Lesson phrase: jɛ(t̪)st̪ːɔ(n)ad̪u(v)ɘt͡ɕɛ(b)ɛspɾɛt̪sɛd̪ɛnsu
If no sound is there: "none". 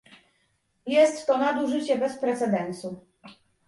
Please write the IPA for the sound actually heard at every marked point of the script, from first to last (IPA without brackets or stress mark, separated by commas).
none, n, ʐ, b